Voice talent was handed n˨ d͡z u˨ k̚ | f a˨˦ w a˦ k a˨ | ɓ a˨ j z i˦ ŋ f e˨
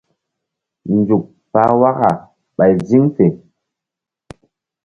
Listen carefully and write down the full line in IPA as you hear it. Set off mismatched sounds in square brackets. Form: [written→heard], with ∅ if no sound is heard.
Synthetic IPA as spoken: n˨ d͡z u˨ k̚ | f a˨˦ w a˦ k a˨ | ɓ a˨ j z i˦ ŋ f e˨